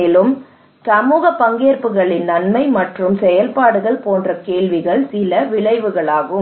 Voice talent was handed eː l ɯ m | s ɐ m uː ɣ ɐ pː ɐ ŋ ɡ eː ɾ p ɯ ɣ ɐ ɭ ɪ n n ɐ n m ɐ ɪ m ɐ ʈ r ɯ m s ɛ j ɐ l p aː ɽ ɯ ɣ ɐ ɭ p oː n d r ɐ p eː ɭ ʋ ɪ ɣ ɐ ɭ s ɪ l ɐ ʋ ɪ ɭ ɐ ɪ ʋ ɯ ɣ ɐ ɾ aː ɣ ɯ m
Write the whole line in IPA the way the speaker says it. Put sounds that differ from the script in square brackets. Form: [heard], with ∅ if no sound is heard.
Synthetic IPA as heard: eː l ɯ m | s ɐ m uː ɣ ɐ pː ɐ ŋ ɡ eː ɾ p ɯ ɣ ɐ ɭ ɪ n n ɐ n m ɐ ɪ m ɐ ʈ r ɯ m s ɛ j ɐ l p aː ɽ ɯ ɣ ɐ ɭ p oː n d r ɐ [k] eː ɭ ʋ ɪ ɣ ɐ ɭ s ɪ l ɐ ʋ ɪ ɭ ɐ ɪ ʋ ɯ ɣ ɐ [ɭ] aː ɣ ɯ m